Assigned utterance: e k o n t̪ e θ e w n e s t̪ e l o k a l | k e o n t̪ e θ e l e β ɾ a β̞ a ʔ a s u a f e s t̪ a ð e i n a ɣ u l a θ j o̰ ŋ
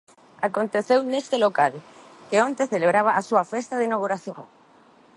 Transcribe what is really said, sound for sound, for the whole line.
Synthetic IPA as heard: a k o n t̪ e θ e w n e s t̪ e l o k a l | k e o n t̪ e θ e l e β ɾ a β̞ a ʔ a s u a f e s t̪ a ð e i n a ɣ u ɾ a θ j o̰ ŋ